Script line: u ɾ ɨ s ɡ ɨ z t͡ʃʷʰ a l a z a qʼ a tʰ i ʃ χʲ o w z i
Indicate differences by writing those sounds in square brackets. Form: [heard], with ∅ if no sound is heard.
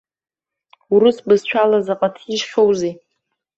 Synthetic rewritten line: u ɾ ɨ s [b] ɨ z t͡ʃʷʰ a l a z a qʼ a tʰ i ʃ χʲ o w z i